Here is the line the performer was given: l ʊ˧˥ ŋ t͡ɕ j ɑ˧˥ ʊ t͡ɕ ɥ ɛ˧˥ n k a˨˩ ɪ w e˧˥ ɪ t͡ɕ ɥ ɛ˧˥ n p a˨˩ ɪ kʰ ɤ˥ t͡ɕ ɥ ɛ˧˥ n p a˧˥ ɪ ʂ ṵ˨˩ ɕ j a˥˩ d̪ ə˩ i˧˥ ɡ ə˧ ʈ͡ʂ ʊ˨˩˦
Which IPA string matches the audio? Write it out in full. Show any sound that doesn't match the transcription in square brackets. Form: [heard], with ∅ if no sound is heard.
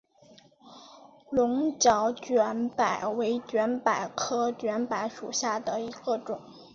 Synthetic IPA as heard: l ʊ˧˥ ŋ t͡ɕ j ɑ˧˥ ʊ t͡ɕ ɥ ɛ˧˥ n [p] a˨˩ ɪ w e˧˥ ɪ t͡ɕ ɥ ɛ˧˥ n p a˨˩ ɪ kʰ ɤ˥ t͡ɕ ɥ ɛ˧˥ n p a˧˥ ɪ ʂ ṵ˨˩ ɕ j a˥˩ d̪ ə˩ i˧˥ ɡ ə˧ ʈ͡ʂ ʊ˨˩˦